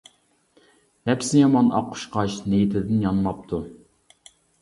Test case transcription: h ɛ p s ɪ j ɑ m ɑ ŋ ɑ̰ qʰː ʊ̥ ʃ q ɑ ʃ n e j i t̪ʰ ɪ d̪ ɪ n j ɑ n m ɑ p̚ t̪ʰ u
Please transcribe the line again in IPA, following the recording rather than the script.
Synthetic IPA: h ɛ p s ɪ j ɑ m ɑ n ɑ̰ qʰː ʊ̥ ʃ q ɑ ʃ n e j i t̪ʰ ɪ d̪ ɪ n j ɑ n m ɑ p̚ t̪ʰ u